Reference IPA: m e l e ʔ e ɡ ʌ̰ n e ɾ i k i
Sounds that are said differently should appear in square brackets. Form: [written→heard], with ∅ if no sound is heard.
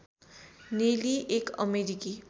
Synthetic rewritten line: [m→n] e l [e→i] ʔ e [ɡ→k] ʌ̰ [n→m] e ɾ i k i